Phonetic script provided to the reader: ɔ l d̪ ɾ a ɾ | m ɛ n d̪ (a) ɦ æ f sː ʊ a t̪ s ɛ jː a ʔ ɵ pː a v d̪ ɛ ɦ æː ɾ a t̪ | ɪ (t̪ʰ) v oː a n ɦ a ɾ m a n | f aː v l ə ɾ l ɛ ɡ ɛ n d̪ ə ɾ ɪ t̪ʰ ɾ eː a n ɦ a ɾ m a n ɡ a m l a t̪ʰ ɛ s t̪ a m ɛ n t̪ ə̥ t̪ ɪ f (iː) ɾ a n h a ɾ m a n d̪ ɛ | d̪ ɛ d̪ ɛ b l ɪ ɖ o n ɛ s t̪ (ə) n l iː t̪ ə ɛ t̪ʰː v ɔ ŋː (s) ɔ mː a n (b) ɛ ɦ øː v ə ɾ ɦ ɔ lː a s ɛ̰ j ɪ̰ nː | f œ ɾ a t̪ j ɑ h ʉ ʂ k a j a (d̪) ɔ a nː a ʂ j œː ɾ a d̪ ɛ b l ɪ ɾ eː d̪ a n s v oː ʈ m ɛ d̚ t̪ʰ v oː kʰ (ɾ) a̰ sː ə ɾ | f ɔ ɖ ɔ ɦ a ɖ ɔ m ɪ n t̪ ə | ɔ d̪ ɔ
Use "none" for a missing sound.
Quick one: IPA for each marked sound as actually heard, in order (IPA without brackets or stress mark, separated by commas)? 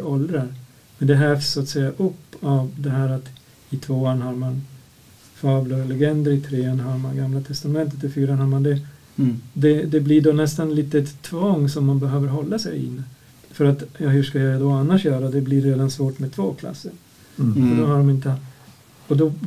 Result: ɛ, t̪ʰ, yː, a, s, b, d̪, l